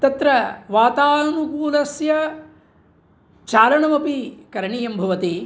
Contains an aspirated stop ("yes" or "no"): no